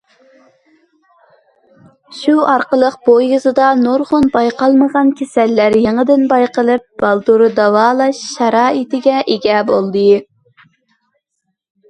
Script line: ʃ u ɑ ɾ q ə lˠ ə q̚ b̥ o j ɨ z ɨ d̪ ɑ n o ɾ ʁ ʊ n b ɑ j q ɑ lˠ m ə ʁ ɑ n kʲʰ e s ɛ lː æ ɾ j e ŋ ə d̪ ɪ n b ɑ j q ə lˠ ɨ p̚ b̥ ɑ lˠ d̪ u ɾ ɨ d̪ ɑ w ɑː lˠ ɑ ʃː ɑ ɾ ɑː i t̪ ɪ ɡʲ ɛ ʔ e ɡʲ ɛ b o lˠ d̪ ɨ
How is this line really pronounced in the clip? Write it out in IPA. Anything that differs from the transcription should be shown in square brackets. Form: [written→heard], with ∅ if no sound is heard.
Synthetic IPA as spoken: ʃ u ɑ ɾ q ə lˠ ə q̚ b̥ o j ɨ z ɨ d̪ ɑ n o ɾ ʁ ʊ n b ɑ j q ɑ lˠ m ə ʁ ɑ n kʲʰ e s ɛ lː æ ɾ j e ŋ ə d̪ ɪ n b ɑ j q ə lˠ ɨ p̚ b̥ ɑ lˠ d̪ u ɾ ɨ d̪ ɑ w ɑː lˠ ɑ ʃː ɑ ɾ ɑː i t̪ ɪ ɡʲ ɛ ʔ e ɡʲ ɛ b o lˠ d̪ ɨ